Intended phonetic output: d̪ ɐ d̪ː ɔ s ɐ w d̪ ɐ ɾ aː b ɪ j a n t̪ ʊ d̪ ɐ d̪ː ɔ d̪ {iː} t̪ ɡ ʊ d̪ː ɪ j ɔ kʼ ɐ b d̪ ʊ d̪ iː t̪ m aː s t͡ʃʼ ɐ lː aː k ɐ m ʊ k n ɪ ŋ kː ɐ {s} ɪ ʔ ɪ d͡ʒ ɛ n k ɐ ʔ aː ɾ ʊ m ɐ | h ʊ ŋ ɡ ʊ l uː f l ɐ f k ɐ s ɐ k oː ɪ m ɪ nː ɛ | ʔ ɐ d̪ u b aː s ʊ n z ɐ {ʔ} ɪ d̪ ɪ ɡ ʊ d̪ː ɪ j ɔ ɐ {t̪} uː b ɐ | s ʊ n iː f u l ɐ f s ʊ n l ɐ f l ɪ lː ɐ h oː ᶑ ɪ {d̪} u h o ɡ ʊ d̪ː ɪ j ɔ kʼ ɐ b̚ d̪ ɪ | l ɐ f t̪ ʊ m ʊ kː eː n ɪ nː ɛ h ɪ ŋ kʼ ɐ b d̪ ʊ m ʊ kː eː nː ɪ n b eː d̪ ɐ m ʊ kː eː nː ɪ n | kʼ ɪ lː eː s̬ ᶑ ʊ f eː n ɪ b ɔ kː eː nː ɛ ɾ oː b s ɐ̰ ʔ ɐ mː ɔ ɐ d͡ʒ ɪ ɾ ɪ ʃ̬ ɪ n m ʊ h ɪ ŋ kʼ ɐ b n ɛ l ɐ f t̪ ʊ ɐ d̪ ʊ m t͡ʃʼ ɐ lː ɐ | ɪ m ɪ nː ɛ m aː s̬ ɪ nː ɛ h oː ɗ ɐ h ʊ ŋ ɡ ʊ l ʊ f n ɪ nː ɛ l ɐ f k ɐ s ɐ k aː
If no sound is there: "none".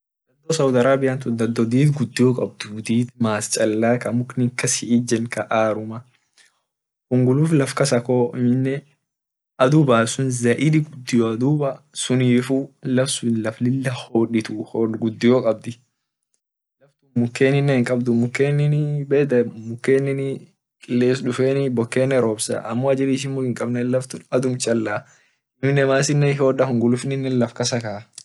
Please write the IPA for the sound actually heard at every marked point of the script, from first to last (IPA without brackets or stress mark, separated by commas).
iː, s, ʔ, d̪, t̪